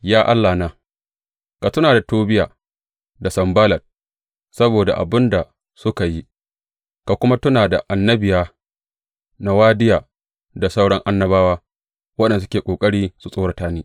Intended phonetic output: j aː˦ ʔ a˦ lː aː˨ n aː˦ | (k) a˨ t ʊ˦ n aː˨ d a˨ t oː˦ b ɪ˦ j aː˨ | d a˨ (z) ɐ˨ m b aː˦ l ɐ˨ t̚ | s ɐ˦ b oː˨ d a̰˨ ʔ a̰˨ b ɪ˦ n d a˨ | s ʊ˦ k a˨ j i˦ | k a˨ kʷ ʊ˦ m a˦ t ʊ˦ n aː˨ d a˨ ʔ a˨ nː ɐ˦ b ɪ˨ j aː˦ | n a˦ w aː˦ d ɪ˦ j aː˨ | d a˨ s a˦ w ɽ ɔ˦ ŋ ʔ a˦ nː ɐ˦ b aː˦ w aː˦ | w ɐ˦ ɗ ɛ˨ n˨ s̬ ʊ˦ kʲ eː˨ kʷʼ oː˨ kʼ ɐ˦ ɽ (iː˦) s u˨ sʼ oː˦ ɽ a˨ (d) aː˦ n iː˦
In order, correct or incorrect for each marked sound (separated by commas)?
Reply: correct, incorrect, correct, incorrect